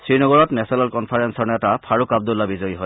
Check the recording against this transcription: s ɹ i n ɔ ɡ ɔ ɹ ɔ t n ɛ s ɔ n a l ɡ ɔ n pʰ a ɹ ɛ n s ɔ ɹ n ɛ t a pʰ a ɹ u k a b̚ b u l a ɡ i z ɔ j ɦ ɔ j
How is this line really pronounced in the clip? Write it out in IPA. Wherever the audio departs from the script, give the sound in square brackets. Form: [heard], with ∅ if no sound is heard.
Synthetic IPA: s ɹ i n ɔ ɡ ɔ ɹ ɔ t n ɛ s ɔ n a l [k] ɔ n pʰ a ɹ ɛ n s ɔ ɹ n ɛ t a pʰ a ɹ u k a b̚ [d] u l a [b] i z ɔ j ɦ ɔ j